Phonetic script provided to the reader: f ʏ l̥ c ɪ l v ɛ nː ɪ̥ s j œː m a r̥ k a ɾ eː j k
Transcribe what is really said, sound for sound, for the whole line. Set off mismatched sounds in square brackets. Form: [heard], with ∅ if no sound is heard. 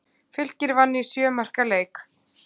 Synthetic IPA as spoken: f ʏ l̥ c ɪ [ɾ] v [a] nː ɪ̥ s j œː m a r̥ k a [l] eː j k